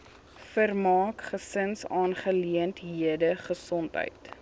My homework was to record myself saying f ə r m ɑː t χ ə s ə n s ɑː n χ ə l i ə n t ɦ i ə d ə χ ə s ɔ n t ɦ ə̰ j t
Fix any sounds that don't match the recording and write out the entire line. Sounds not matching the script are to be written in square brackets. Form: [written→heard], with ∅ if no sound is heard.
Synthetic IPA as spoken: f ə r m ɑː [t→k] χ ə s ə n s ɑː n χ ə l i ə n t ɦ i ə d ə χ ə s ɔ n t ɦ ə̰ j t

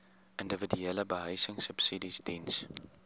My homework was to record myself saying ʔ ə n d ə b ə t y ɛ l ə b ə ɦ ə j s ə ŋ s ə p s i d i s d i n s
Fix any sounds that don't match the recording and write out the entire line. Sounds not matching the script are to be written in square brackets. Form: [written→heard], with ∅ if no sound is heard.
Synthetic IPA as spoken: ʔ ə n d ə [b→v] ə [t→d] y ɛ l ə b ə ɦ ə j s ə ŋ s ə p s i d i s d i n s

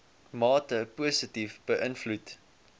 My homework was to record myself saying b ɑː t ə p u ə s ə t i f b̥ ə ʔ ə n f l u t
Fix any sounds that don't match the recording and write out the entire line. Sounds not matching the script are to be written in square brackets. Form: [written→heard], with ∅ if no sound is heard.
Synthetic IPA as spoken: [b→m] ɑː t ə p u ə s ə t i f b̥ ə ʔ ə n f l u t

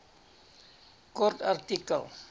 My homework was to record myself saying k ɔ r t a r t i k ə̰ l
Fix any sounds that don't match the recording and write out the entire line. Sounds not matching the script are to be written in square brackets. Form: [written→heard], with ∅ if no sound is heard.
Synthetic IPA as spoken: k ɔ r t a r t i k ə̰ l

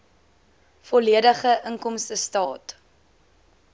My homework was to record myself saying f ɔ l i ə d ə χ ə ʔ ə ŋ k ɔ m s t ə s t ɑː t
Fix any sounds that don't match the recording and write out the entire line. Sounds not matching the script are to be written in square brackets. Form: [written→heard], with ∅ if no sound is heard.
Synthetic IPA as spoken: f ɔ l i ə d ə χ ə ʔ ə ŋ k ɔ m s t ə s t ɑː t

